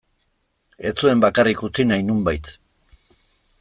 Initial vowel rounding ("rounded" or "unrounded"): unrounded